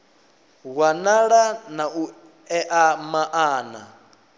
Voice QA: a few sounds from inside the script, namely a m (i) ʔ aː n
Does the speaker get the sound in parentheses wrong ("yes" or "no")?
yes